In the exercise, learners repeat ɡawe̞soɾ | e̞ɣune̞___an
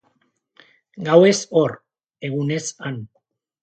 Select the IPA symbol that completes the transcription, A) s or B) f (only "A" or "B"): A